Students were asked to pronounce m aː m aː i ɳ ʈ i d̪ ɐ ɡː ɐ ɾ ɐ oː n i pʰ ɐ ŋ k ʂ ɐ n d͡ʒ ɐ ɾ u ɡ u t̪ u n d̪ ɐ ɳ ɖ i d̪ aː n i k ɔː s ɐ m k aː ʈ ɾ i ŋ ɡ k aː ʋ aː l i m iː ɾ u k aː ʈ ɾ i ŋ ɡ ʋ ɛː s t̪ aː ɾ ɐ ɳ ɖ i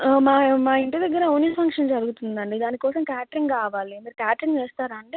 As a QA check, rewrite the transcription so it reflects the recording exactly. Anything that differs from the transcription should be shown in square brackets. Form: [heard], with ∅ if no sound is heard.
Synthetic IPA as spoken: m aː m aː i ɳ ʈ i d̪ ɐ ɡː ɐ ɾ ɐ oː n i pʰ ɐ ŋ k ʂ ɐ n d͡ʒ ɐ ɾ u ɡ u t̪ u n d̪ ɐ ɳ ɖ i d̪ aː n i k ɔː s ɐ m k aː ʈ ɾ i ŋ ɡ k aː ʋ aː l i m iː ɾ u k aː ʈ ɾ i ŋ ɡ ʋ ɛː s t̪ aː ɾ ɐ ɳ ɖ i